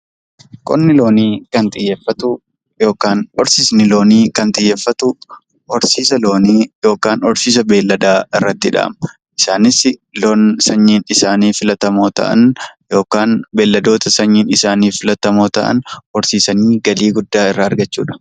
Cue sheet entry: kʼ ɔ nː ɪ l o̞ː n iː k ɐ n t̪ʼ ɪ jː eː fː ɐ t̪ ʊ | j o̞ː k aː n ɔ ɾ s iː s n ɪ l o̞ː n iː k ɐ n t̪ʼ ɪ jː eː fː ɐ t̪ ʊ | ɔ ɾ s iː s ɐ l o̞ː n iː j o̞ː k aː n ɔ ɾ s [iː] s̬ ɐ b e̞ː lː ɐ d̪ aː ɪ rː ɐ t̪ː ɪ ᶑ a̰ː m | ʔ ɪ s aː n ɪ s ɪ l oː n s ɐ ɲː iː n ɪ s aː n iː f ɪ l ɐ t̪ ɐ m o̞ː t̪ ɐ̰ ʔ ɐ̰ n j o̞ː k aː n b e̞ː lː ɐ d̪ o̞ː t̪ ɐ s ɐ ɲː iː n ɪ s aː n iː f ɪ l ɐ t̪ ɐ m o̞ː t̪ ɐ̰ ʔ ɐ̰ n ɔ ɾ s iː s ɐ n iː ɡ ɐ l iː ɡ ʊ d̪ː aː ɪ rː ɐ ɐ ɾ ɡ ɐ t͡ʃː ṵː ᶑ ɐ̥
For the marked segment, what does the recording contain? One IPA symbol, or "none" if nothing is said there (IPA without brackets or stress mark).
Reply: iː